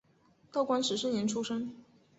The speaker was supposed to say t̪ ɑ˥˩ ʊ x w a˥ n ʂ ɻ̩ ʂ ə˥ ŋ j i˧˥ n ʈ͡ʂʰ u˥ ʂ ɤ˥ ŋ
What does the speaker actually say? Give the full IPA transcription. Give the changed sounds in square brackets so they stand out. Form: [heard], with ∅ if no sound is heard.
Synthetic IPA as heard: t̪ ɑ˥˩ ʊ [k] w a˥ n ʂ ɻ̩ ʂ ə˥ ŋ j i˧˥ n ʈ͡ʂʰ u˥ ʂ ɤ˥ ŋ